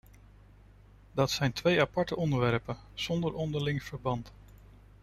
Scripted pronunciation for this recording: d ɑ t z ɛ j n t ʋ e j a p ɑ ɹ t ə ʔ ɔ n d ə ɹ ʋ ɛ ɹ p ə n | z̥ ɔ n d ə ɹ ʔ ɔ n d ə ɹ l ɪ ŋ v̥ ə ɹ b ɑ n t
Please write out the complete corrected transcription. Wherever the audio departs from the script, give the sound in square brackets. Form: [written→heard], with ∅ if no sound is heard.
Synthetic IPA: d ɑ t [z→s] ɛ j n t ʋ e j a p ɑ ɹ t ə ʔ ɔ n d ə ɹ ʋ ɛ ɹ p ə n | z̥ ɔ n d ə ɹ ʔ ɔ n d ə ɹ l ɪ ŋ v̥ ə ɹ b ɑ n t